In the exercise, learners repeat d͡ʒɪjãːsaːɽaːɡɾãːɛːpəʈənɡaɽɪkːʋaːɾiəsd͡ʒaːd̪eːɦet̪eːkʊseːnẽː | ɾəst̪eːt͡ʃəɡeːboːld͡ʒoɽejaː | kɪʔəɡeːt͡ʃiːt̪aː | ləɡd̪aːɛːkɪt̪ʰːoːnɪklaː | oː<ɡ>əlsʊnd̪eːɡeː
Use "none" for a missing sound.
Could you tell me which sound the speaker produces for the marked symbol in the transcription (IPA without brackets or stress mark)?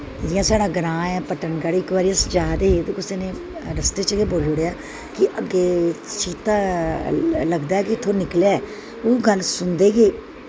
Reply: ɡ